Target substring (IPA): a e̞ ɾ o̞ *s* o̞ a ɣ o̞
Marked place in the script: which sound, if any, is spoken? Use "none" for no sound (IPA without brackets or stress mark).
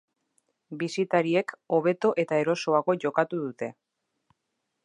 s